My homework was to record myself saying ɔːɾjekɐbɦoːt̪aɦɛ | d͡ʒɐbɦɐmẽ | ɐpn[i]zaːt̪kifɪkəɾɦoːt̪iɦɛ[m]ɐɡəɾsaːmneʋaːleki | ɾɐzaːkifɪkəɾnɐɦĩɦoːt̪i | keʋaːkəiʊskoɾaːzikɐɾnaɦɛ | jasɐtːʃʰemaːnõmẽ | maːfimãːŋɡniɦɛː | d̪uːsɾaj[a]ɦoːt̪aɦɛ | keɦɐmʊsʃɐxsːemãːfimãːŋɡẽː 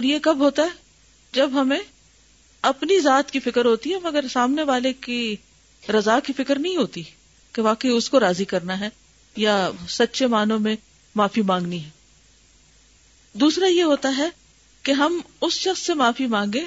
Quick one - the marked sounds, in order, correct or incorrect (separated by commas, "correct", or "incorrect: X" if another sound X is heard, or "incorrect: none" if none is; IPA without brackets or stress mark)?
correct, correct, incorrect: e